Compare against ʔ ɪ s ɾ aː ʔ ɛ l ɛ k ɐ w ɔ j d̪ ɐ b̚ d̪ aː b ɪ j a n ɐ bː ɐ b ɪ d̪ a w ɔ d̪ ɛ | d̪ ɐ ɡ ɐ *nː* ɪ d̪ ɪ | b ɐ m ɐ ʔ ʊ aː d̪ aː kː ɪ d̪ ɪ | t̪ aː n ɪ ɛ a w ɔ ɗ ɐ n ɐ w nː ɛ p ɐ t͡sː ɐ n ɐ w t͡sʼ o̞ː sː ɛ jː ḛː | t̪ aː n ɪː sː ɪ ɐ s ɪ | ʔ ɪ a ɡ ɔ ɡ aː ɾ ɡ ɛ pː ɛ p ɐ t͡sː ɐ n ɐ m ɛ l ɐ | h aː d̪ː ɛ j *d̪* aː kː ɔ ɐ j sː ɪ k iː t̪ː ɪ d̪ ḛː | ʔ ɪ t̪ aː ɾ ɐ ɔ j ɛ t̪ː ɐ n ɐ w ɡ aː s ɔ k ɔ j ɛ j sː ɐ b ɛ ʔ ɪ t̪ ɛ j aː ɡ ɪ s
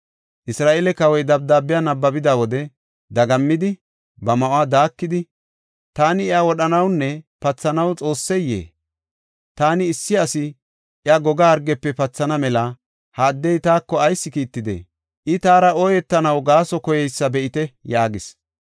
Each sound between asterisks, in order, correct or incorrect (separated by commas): incorrect, incorrect